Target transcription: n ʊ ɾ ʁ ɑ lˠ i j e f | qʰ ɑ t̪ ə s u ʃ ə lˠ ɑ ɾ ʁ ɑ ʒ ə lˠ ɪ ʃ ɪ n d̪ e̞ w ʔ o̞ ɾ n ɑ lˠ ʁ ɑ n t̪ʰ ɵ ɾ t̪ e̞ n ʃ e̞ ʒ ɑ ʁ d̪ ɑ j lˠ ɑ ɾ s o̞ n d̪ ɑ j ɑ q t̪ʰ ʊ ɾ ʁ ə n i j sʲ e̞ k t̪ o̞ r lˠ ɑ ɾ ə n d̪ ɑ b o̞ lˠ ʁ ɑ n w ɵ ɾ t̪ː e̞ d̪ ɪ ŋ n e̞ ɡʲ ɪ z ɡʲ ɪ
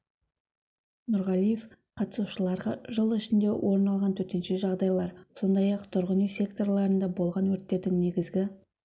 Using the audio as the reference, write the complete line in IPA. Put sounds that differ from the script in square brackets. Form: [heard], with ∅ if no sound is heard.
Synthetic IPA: n ʊ ɾ ʁ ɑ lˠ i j e f | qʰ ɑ t̪ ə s u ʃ ə lˠ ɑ ɾ ʁ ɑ ʒ ə lˠ ɪ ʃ ɪ n d̪ e̞ w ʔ o̞ ɾ n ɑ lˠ ʁ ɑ n t̪ʰ ɵ ɾ t̪ e̞ n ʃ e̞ ʒ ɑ ʁ d̪ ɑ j lˠ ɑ ɾ s o̞ n d̪ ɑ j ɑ q t̪ʰ ʊ ɾ ʁ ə n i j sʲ e̞ k t̪ o̞ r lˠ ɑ ɾ ə n d̪ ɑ b o̞ lˠ ʁ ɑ n w ɵ ɾ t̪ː e̞ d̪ ɪ ŋ n e̞ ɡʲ ɪ z ɡʲ ɪ